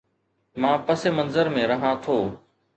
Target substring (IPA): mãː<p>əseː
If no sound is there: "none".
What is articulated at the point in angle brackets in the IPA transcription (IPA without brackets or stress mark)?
p